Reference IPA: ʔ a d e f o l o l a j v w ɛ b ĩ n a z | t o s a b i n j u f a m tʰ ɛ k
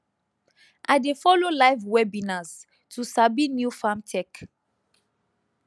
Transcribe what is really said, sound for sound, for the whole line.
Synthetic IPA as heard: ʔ a d e f ɔ l o l a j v w ɛ b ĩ n a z | t u s a b i n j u f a m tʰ ɛ k